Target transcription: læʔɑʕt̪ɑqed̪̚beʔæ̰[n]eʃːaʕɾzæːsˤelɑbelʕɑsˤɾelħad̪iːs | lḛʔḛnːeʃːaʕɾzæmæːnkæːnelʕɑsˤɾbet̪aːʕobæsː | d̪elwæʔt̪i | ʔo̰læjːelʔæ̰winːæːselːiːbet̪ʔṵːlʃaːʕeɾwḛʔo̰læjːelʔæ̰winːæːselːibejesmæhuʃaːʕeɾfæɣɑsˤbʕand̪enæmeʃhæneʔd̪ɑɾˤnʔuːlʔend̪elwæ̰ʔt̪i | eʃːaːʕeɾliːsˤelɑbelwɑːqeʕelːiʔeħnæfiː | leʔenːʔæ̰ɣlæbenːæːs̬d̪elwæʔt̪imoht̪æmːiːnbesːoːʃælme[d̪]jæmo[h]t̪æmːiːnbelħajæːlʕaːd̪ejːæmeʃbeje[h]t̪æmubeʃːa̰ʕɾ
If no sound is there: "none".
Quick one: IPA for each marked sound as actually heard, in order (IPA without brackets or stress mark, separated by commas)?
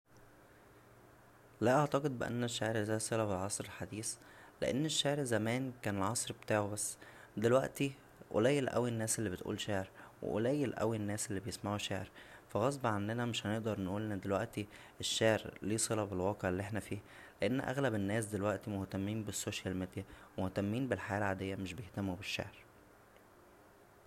nː, d̪, h, h